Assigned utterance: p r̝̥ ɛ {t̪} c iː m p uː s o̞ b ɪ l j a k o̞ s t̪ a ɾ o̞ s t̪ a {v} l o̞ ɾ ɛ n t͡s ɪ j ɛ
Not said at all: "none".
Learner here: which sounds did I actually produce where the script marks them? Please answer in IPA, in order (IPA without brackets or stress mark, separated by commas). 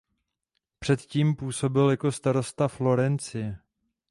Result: t̪, f